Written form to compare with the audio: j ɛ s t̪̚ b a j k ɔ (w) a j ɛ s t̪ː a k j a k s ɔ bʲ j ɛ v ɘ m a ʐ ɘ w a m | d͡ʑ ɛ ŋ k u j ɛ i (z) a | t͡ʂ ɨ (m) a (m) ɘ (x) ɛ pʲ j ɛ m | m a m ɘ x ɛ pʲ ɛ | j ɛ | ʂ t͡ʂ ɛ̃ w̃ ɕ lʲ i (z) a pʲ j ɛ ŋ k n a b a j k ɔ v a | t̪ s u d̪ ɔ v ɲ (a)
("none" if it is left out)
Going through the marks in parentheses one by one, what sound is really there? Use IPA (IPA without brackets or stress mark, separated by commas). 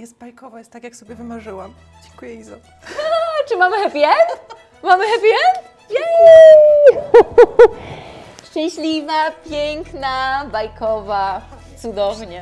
v, z, m, m, x, v, ɛ